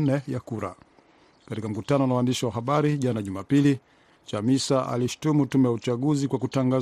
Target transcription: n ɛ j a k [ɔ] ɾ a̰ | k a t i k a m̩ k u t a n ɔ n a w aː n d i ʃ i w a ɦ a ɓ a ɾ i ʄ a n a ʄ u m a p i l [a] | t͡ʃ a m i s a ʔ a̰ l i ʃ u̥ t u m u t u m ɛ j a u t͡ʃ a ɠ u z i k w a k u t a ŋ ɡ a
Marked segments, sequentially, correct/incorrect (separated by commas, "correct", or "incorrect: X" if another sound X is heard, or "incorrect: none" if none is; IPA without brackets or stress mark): incorrect: u, incorrect: i